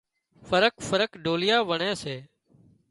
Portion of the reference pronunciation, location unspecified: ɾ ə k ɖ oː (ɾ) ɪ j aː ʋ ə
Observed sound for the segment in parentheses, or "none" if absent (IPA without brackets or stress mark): l